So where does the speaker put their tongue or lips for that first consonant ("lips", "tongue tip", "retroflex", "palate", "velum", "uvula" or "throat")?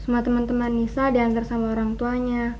tongue tip